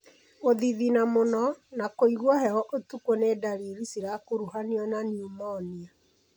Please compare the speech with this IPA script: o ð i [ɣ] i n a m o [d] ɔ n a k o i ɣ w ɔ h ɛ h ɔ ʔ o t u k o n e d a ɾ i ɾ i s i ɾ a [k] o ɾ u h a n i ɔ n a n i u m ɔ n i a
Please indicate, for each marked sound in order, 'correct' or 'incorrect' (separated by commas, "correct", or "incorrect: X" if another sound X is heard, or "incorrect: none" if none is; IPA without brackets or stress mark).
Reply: incorrect: ð, incorrect: n, correct